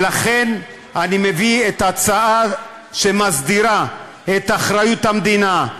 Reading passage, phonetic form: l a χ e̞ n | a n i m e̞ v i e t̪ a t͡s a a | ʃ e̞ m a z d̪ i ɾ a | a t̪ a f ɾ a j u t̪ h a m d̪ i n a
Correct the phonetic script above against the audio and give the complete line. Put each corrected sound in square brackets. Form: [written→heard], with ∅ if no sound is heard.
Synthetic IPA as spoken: l a χ e̞ n | a n i m e̞ v i e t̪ a t͡s a a | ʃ e̞ m a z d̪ i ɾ a | [a→e] t̪ a [f→χ] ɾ a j u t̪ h a m d̪ i n a